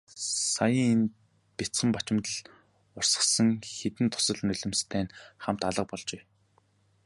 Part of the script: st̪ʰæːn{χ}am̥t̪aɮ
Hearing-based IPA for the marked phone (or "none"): χ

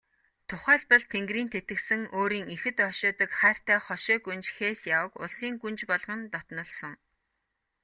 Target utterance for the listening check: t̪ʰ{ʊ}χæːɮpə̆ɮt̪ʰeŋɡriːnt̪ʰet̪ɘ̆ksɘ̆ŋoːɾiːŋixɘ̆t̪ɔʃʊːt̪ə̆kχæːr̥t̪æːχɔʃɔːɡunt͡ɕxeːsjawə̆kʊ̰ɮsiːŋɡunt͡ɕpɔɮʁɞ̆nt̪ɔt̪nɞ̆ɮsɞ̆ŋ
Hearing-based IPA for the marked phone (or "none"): ʊ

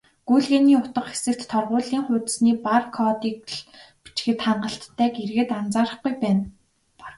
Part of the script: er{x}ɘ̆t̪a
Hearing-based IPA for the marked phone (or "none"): ɣ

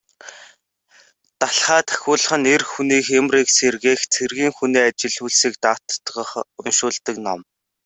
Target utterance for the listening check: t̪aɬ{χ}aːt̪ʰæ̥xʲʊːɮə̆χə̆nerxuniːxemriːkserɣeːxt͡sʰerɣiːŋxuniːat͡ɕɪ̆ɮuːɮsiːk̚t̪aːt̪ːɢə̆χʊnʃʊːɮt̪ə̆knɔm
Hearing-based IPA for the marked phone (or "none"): χ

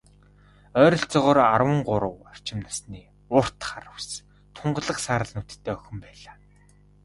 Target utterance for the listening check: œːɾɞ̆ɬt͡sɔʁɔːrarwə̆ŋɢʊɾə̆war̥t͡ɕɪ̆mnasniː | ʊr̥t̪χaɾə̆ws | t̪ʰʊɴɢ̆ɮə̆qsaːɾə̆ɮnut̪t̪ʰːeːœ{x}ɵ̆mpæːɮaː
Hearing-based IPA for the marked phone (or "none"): x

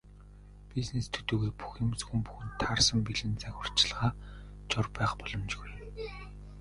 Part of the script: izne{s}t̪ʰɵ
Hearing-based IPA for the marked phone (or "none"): s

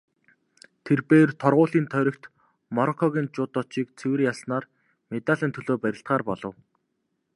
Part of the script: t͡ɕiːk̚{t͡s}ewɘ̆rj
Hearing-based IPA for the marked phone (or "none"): t͡sʰ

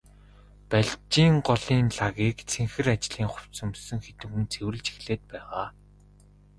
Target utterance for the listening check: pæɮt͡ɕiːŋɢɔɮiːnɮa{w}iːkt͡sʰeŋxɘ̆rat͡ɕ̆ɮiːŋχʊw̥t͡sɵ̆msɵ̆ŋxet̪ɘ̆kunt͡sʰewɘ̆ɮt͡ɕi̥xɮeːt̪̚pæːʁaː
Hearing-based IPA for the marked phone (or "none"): ɣ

